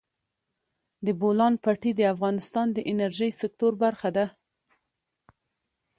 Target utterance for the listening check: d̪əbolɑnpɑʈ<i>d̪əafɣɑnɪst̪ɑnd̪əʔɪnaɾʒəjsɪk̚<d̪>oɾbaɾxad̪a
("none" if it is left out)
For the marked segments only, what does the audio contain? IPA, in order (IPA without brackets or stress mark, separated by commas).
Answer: i, t̪